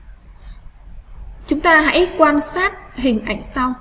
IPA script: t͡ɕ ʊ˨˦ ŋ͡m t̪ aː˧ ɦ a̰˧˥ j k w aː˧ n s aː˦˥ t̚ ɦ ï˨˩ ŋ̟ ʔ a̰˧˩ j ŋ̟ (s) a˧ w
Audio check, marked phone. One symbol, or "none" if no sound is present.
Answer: s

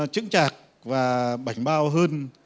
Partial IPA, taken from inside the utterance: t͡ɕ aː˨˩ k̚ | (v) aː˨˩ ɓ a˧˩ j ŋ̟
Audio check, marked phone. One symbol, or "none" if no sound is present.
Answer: v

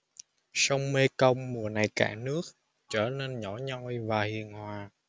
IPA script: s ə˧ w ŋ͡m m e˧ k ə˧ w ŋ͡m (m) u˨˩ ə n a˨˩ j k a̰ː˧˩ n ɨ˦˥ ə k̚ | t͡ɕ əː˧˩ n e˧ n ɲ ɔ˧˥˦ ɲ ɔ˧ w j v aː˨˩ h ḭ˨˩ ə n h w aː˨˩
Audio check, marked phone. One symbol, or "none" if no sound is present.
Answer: m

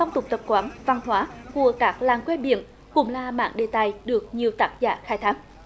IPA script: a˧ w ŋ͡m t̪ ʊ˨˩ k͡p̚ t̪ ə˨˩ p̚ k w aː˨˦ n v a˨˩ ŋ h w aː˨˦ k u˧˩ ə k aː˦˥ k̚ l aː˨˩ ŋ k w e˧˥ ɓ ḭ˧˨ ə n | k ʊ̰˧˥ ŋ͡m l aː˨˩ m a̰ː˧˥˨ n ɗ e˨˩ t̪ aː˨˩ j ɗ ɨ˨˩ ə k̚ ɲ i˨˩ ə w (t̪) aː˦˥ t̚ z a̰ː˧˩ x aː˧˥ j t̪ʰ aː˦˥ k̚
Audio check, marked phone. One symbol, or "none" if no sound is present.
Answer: t̪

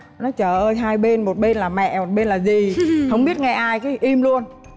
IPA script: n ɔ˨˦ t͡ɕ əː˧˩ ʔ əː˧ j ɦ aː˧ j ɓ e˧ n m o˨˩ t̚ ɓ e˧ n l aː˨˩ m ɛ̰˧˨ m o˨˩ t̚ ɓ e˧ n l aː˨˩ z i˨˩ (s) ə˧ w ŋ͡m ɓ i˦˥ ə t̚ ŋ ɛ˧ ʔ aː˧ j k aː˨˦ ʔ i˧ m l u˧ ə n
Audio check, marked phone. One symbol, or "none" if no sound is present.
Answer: h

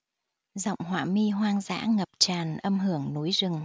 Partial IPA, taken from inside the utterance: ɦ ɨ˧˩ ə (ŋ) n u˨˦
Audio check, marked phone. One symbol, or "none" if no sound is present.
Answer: ŋ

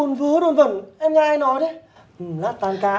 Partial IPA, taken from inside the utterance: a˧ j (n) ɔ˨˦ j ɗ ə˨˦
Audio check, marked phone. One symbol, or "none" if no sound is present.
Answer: n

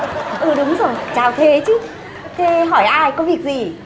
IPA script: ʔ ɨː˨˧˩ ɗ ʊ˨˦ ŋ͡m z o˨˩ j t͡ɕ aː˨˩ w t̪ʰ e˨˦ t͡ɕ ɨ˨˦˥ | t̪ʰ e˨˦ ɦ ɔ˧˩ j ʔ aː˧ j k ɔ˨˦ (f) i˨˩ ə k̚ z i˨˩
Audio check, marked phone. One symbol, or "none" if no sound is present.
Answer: v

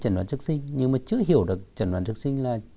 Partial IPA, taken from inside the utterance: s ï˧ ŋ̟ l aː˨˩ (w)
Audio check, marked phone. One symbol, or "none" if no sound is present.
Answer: none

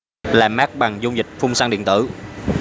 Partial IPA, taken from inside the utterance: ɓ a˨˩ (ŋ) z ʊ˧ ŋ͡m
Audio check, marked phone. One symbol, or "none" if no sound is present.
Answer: ŋ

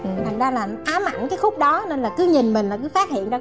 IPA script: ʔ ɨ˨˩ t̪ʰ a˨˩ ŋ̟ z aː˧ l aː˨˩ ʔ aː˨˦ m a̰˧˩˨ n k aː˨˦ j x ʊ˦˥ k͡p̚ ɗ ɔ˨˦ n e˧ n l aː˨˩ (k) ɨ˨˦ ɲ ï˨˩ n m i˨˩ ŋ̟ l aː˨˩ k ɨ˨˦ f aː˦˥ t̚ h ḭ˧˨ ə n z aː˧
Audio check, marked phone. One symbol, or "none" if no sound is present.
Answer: k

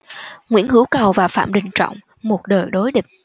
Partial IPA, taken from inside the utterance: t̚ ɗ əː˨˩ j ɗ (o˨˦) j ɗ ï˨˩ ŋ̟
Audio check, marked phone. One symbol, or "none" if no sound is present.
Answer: o˨˦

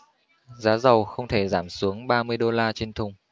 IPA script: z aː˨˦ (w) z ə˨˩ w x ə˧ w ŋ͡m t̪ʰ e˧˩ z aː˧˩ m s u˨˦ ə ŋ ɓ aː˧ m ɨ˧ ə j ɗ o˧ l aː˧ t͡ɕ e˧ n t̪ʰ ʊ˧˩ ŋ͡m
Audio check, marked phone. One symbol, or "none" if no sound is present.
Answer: none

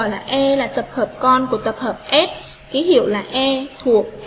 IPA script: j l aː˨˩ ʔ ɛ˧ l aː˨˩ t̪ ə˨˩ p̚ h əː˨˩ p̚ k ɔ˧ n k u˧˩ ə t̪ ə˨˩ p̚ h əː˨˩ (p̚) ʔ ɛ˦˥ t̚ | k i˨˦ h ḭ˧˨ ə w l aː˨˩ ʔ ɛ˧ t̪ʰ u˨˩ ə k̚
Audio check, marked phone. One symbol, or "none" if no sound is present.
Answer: p̚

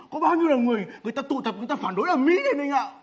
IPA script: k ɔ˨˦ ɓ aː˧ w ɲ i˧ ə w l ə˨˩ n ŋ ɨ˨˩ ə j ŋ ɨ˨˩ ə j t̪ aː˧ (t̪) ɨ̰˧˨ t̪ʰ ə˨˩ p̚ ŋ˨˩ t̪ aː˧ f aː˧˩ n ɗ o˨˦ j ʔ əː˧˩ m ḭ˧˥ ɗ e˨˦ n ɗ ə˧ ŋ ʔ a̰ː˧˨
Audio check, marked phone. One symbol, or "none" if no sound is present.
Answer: t̪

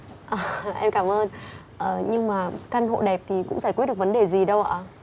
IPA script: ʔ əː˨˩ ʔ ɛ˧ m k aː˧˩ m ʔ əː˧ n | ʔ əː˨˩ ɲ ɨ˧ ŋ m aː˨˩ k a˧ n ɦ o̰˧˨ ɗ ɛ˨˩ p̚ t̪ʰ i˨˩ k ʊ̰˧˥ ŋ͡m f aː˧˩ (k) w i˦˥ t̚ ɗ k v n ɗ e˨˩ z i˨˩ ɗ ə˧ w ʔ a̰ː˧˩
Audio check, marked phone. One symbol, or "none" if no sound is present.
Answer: k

